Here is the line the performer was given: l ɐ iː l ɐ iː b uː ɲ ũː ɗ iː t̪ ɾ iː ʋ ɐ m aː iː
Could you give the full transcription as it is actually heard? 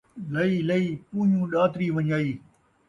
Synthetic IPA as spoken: l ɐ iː l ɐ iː p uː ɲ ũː ɗ aː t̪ ɾ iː ʋ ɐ ɲ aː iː